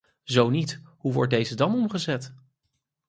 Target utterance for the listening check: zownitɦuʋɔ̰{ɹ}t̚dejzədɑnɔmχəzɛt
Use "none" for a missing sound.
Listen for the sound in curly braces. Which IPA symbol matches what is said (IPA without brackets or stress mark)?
ɹ